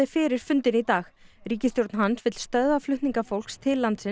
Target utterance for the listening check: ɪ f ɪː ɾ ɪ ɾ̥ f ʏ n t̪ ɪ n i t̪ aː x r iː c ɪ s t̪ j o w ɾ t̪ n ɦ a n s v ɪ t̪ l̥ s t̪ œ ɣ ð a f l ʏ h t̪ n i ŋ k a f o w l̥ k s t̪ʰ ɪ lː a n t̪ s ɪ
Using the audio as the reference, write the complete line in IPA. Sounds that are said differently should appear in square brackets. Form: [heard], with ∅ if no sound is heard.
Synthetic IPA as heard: ɪ f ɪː ɾ ɪ ɾ̥ f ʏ n t̪ ɪ n i t̪ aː x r iː c ɪ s t̪ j o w ɾ t̪ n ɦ a n s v ɪ t̪ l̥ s t̪ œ [ð] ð a f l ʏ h t̪ n i ŋ k a f o w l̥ k s t̪ʰ ɪ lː a n t̪ s ɪ